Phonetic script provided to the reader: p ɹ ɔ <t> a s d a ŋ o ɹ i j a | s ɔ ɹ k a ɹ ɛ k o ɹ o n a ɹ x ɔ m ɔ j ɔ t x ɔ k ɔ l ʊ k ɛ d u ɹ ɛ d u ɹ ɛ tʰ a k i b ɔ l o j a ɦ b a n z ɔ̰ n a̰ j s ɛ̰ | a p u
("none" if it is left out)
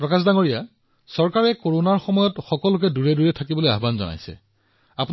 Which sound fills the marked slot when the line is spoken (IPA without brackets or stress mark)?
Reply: k